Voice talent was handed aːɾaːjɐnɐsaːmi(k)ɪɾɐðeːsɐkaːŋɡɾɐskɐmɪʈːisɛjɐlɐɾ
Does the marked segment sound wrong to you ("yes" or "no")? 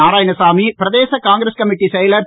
yes